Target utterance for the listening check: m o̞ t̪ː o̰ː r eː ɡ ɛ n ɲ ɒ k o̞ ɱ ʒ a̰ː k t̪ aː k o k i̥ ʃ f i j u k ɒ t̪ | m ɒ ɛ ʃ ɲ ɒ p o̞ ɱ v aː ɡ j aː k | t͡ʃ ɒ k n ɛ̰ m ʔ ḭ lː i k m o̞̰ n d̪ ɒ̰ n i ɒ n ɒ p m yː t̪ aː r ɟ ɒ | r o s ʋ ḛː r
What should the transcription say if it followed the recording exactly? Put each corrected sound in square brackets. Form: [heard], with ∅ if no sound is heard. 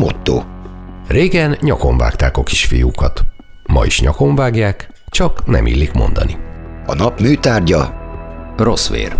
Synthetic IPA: m o̞ t̪ː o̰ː r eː ɡ ɛ n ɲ ɒ k o̞ ɱ [v] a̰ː k t̪ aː k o k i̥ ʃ f i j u k ɒ t̪ | m ɒ [i] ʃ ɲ ɒ [k] o̞ ɱ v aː ɡ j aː k | t͡ʃ ɒ k n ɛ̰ m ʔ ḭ lː i k m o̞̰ n d̪ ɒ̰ n i ɒ n ɒ p m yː t̪ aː r ɟ ɒ | r o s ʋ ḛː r